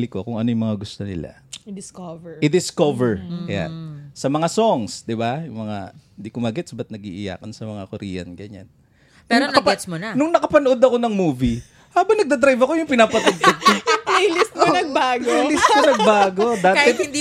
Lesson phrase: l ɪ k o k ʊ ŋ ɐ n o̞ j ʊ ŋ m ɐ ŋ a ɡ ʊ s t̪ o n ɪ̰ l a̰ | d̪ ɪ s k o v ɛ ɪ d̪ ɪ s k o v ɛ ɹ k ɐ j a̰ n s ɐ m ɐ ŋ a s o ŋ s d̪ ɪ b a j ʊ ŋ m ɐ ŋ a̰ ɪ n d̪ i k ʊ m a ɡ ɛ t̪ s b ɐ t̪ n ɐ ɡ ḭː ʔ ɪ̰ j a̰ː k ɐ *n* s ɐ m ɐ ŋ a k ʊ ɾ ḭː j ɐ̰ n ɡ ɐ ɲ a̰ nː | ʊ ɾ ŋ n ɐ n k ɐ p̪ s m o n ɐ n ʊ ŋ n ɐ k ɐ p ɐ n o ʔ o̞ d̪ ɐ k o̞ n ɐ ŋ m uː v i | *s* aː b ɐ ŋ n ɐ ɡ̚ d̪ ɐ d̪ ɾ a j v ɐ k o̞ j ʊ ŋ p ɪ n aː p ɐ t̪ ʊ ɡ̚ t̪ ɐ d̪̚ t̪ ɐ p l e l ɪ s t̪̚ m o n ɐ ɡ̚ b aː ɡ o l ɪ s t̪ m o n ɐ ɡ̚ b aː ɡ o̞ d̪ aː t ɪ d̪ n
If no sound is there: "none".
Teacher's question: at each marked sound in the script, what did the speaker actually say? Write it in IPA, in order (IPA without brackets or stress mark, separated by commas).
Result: n, h